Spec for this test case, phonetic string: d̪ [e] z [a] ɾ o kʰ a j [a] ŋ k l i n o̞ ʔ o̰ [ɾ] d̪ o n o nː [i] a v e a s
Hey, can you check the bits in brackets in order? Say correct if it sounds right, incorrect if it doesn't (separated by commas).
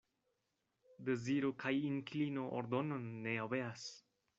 correct, incorrect, incorrect, correct, incorrect